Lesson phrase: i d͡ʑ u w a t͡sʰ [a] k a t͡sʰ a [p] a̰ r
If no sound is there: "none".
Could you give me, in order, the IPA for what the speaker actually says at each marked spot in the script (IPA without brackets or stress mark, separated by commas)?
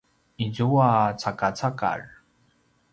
a, k